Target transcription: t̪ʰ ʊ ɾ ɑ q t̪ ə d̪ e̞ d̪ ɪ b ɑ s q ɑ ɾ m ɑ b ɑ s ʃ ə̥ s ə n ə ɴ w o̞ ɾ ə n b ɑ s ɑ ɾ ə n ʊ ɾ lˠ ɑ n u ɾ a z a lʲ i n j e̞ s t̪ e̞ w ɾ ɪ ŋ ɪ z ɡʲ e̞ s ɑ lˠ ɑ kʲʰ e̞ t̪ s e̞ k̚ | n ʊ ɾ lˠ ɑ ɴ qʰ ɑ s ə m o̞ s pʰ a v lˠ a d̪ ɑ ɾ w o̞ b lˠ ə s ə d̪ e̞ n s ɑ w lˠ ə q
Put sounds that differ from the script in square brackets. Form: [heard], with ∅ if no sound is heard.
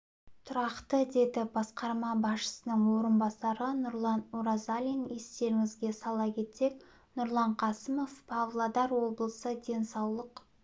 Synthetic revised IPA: t̪ʰ ʊ ɾ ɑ q t̪ ə d̪ e̞ d̪ ɪ b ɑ s q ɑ ɾ m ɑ b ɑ s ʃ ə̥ s ə n ə ɴ w o̞ ɾ ə n b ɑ s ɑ ɾ ə n ʊ ɾ lˠ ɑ n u ɾ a z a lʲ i n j e̞ s t̪ e̞ [∅] ɾ ɪ ŋ ɪ z ɡʲ e̞ s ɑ lˠ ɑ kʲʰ e̞ t̪ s e̞ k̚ | n ʊ ɾ lˠ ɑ ɴ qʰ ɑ s ə m o̞ [f] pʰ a v lˠ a d̪ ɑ ɾ w o̞ b lˠ ə s ə d̪ e̞ n s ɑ w lˠ ə q